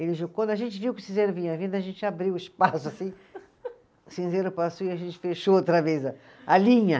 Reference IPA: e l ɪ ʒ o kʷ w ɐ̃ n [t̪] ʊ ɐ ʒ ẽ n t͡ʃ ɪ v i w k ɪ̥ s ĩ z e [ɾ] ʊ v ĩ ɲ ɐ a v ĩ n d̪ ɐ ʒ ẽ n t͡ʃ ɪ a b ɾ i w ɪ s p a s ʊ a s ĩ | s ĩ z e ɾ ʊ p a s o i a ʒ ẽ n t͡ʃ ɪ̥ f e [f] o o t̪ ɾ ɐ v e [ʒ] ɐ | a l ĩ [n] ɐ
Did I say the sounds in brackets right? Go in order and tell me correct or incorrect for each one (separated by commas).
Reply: incorrect, correct, incorrect, incorrect, incorrect